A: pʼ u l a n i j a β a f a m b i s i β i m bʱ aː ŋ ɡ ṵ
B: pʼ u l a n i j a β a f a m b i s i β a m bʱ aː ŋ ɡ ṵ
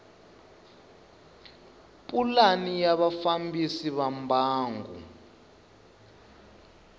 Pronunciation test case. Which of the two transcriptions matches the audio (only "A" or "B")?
B